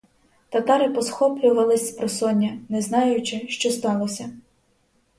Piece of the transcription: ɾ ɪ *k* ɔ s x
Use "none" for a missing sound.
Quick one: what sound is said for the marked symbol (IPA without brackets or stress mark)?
p